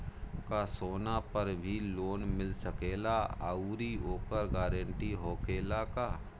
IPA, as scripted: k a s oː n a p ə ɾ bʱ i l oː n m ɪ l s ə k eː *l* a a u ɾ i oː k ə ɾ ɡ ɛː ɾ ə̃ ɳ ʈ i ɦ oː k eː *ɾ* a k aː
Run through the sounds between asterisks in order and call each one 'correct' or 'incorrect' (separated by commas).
correct, incorrect